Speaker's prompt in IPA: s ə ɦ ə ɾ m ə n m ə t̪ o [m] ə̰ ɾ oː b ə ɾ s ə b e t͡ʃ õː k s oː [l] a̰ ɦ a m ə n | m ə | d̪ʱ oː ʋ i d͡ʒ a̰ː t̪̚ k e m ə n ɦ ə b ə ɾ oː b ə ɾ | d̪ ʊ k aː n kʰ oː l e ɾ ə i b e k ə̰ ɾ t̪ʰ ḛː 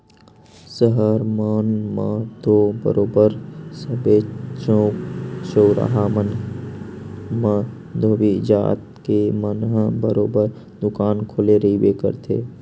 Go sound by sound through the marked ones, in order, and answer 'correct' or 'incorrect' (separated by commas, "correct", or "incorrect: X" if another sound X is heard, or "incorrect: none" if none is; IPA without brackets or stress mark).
incorrect: b, incorrect: ɾ